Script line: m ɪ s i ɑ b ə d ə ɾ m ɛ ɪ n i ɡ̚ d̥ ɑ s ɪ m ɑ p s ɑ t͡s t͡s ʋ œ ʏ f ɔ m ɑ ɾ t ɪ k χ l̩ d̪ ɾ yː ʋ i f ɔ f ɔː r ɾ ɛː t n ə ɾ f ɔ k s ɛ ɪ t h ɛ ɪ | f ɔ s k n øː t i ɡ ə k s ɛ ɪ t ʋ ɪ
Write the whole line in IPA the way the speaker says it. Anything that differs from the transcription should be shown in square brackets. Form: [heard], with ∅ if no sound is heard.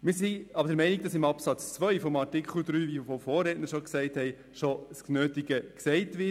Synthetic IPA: m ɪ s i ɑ b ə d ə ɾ m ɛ ɪ n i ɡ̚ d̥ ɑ s ɪ m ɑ p s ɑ t͡s t͡s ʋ œ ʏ f ɔ m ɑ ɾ t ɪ k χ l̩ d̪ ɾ yː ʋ i f ɔ f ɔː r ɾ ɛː t n ə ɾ [ʃ] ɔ k s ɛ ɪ t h ɛ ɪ | [ʃ] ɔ s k n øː t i ɡ ə k s ɛ ɪ t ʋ ɪ